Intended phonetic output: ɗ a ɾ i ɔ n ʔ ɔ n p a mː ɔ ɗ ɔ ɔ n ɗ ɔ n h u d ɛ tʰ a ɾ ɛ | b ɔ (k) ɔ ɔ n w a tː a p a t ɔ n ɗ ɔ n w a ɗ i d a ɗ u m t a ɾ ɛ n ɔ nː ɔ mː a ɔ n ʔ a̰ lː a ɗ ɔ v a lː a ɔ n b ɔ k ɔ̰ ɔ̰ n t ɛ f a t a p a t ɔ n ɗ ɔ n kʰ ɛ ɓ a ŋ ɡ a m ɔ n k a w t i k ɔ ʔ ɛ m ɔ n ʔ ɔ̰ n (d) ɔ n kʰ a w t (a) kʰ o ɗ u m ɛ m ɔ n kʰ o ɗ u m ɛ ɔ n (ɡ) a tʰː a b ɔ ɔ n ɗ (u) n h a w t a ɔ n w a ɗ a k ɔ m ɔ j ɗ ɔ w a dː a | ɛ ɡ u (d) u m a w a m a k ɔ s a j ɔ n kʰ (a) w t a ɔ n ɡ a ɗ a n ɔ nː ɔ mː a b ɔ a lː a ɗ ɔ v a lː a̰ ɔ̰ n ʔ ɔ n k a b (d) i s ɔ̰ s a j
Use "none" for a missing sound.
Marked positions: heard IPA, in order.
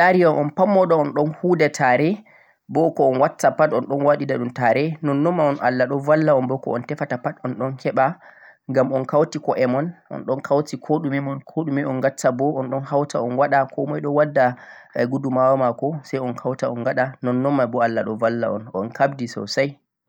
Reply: k, ɗ, i, ɡ, ɔ, d, a, d

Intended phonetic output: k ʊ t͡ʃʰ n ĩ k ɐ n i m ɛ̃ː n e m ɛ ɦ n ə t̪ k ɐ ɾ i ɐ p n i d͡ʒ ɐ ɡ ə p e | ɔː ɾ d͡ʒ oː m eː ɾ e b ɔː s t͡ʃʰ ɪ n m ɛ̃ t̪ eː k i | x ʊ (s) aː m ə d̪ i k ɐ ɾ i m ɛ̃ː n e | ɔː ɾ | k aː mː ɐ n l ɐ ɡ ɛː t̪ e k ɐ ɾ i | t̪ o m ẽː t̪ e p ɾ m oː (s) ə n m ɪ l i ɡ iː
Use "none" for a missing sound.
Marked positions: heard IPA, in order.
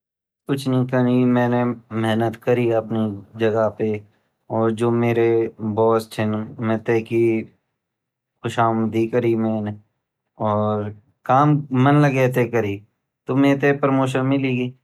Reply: ʃ, ʃ

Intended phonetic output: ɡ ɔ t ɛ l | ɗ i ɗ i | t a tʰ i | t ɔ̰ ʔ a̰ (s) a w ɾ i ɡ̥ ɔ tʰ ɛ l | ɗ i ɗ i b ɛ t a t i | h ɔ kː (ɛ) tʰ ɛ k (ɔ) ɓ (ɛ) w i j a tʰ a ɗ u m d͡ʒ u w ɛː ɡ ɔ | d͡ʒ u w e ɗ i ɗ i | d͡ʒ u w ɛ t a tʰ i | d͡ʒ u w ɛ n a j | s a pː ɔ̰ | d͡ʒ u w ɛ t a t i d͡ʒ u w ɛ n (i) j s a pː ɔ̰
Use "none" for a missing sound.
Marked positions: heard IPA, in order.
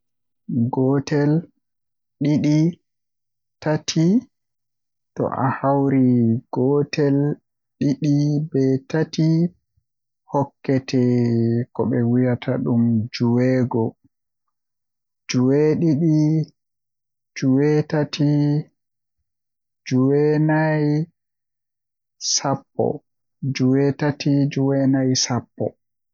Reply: h, ɛ, ɔ, ɛ, a

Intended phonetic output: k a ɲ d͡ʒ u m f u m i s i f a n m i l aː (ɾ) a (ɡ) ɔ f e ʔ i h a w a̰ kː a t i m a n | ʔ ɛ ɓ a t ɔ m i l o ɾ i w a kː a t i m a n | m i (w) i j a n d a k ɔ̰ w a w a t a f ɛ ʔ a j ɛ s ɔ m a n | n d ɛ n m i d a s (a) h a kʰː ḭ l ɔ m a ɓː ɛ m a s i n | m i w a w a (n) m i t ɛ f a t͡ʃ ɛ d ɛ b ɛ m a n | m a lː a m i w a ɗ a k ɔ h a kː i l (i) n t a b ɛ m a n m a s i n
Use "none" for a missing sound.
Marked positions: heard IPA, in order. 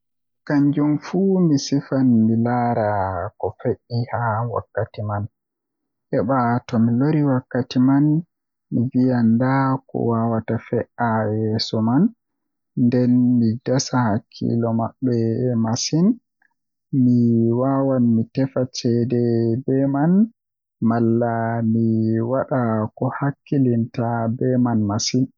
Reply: ɾ, k, v, a, n, i

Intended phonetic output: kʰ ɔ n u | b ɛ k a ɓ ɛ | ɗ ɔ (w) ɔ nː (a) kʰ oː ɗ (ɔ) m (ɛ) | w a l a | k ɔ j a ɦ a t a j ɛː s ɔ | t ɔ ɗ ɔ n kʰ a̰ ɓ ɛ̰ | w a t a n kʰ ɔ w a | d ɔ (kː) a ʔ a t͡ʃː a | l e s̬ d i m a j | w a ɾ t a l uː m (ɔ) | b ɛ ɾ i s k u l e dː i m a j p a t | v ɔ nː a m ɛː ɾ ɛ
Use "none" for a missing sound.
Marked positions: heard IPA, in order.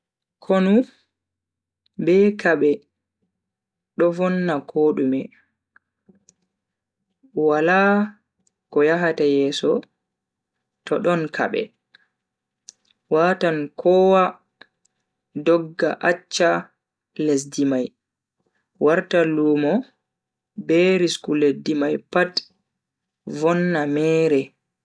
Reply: v, a, u, ɛ, ɡː, ɔ

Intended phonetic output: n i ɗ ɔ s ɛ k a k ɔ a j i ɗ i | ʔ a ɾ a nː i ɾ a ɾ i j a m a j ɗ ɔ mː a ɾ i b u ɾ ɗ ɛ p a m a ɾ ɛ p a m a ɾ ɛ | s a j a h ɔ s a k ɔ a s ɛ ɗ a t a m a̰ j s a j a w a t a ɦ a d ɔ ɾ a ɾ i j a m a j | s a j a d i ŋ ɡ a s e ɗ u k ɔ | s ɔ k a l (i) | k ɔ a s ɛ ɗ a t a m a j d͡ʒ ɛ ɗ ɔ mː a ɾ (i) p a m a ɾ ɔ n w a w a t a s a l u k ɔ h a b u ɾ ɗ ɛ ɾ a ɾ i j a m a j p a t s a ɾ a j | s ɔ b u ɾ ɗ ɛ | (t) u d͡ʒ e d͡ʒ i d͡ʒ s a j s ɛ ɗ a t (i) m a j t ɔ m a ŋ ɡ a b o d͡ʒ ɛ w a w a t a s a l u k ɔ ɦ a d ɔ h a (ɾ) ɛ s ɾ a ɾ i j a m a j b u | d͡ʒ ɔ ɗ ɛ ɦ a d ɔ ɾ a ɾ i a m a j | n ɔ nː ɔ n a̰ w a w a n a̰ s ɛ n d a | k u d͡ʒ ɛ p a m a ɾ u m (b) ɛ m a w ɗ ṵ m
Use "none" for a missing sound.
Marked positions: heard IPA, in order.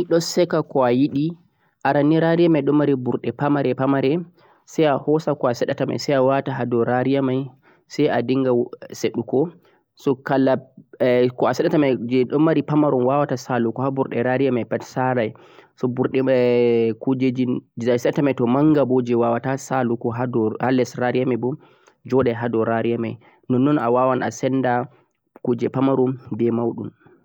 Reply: a, i, k, a, l, b

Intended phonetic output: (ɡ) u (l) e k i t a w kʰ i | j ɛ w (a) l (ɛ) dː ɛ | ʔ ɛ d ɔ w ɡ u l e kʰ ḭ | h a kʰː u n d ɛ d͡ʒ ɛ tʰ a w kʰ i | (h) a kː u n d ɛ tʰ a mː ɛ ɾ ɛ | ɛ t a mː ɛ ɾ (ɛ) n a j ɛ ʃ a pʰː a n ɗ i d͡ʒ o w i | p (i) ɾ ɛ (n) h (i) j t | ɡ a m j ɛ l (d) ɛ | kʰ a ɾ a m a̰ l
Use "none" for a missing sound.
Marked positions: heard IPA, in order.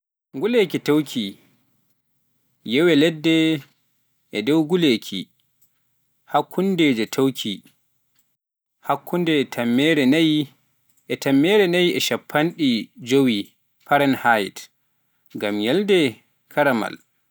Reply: ɡ, l, ɛ, ɛ, h, ɛ, a, n, a, d

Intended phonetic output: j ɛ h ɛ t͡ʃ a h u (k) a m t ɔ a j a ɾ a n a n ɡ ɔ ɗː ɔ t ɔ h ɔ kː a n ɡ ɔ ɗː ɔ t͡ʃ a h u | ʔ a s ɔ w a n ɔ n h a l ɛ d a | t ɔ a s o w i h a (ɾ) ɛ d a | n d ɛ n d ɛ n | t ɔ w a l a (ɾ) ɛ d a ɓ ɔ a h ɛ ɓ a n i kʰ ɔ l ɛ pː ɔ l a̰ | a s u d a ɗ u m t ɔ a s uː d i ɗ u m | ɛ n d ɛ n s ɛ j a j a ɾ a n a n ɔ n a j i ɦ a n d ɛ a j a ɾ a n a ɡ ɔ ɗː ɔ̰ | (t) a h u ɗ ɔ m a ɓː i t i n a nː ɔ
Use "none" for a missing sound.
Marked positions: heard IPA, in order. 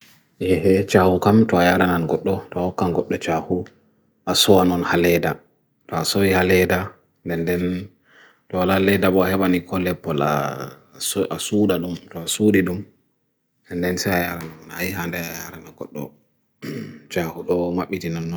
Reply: k, l, l, t͡ʃ

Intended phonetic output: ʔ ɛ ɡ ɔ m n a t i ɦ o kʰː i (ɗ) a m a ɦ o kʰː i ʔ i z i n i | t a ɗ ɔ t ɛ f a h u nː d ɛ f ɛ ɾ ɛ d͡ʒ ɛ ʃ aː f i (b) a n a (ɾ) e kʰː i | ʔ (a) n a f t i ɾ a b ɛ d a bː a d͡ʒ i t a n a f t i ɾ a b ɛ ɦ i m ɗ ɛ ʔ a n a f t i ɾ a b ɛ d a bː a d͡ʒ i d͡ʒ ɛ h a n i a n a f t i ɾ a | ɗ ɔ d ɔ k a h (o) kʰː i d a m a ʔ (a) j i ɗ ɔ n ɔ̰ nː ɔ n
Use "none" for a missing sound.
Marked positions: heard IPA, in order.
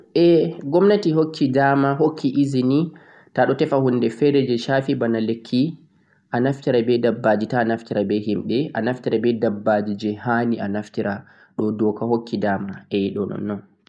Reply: d, b, l, a, o, ɛ

